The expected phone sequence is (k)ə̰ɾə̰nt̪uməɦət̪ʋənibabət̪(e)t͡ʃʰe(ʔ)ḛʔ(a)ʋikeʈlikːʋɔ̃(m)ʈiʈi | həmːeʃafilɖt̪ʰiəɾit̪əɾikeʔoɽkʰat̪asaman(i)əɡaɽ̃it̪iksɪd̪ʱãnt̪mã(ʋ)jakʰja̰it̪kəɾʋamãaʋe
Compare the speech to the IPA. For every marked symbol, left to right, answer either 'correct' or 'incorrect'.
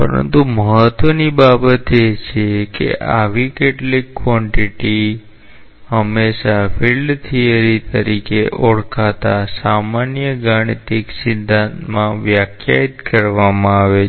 incorrect: p, correct, incorrect: k, correct, incorrect: ɳ, incorrect: j, correct

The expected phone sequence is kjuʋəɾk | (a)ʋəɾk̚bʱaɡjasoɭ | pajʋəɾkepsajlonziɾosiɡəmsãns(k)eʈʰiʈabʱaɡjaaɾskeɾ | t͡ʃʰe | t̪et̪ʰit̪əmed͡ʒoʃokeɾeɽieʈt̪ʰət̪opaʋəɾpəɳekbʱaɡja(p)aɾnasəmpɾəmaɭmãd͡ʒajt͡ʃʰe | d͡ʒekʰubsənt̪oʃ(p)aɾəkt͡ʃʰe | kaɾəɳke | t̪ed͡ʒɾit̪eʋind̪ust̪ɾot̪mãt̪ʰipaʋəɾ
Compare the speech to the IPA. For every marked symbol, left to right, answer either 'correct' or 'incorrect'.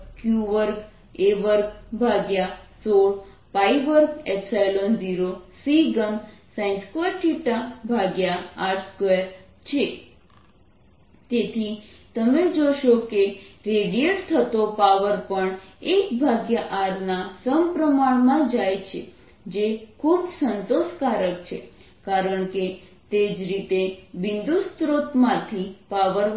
incorrect: e, correct, incorrect: ʔ, incorrect: k

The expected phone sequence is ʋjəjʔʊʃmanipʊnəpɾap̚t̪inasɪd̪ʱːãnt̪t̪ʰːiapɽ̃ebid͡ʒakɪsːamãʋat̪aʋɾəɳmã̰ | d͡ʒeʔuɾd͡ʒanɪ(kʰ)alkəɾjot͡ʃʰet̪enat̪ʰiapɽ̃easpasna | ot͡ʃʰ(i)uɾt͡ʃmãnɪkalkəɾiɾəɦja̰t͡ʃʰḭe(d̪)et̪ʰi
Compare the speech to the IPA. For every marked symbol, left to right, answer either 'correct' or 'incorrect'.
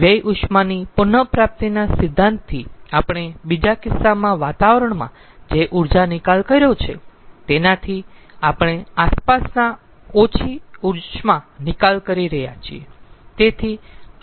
incorrect: k, correct, incorrect: t̪

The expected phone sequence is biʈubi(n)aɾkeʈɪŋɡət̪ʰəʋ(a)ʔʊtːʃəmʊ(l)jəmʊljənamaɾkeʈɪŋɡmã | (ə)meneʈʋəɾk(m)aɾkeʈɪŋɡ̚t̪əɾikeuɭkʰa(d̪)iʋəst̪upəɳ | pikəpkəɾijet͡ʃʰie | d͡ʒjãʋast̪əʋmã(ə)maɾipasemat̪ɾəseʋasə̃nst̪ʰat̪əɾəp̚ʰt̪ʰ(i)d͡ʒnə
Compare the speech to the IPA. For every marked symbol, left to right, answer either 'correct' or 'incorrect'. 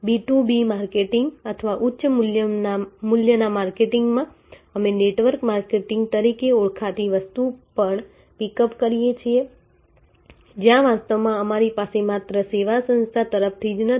incorrect: m, correct, correct, correct, correct, incorrect: t̪, correct, correct

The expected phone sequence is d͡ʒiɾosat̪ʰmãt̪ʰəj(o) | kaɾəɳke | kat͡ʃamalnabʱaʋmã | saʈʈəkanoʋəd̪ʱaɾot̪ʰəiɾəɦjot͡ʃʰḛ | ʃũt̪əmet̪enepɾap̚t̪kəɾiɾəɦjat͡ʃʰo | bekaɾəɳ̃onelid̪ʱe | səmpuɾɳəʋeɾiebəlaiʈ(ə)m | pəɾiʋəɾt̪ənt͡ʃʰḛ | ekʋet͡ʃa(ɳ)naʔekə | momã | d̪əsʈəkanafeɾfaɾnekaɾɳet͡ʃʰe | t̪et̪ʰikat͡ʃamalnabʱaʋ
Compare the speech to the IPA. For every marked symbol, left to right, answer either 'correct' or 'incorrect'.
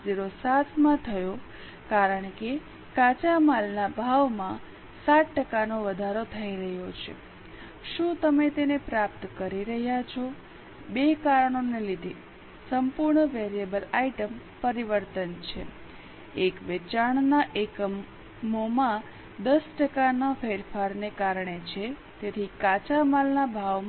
correct, correct, correct

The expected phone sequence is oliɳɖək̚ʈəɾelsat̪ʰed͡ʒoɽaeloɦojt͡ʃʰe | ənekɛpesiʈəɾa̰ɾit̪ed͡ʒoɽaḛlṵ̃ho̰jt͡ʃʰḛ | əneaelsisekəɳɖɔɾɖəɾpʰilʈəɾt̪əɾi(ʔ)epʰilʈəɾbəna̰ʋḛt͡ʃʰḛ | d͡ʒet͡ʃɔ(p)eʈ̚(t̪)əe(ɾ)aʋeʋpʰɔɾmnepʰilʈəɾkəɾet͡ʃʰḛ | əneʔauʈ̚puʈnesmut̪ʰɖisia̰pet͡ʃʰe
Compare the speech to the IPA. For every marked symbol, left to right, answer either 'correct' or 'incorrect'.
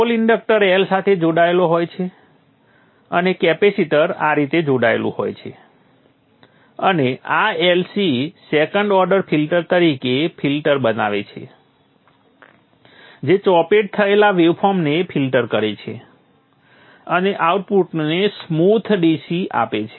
incorrect: k, correct, incorrect: t̪ʰ, incorrect: l

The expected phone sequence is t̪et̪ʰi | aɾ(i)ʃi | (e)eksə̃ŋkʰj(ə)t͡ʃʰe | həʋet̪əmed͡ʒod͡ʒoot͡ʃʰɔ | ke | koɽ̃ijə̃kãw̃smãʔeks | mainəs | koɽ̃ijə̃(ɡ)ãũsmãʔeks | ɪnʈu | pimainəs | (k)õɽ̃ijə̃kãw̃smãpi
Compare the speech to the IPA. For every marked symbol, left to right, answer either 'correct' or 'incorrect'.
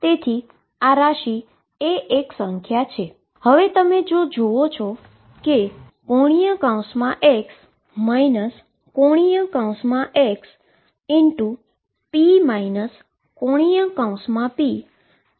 incorrect: a, correct, incorrect: a, incorrect: k, correct

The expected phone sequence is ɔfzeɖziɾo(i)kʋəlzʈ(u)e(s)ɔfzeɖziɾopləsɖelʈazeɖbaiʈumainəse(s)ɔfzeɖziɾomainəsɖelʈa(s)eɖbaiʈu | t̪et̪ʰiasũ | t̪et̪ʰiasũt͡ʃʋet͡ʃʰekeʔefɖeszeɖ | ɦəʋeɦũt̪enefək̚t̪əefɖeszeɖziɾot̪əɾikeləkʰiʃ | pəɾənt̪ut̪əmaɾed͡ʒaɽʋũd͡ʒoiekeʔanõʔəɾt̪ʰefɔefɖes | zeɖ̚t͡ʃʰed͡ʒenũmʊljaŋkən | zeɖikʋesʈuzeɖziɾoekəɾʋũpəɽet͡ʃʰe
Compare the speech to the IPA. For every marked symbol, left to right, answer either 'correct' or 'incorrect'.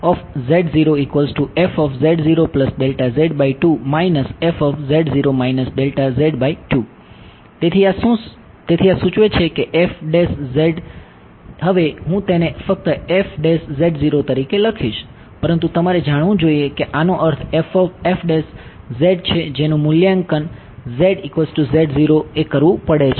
correct, correct, incorrect: f, incorrect: f, incorrect: z

